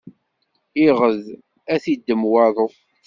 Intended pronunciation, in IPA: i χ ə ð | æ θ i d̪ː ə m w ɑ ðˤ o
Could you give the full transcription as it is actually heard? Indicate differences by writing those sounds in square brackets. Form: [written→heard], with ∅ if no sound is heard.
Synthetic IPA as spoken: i [χ→ʁ] ə ð | æ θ i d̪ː ə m w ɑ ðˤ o